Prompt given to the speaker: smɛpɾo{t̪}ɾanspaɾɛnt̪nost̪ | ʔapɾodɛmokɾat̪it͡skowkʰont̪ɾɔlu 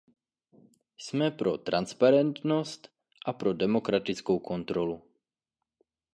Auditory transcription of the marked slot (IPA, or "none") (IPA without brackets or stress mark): t̪